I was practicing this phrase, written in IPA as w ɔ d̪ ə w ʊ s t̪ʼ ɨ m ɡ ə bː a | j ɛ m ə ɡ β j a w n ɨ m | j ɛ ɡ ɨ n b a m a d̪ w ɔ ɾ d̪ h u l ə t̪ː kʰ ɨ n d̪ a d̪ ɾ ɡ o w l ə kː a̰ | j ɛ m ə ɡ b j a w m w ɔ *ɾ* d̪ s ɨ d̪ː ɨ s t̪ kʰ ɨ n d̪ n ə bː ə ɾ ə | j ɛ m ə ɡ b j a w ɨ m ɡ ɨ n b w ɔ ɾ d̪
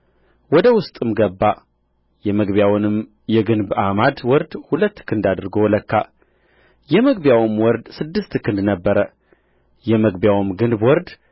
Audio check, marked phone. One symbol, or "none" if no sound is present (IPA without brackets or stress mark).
ɾ